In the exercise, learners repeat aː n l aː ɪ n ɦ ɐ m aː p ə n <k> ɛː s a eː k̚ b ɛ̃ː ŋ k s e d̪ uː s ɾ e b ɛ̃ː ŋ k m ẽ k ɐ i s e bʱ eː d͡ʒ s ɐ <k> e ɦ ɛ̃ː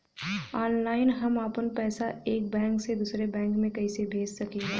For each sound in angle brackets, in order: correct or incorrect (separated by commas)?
incorrect, correct